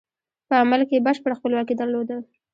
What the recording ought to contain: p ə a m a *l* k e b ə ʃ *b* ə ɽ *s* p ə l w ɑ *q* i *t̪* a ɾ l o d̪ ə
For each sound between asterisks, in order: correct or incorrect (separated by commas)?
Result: correct, incorrect, incorrect, incorrect, incorrect